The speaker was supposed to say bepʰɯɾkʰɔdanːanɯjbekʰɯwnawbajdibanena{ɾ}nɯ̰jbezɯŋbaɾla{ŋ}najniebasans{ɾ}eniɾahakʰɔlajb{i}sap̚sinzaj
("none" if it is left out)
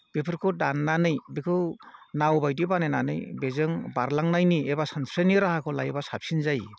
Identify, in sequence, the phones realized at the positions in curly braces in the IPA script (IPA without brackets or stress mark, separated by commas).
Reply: none, ŋ, ɾ, a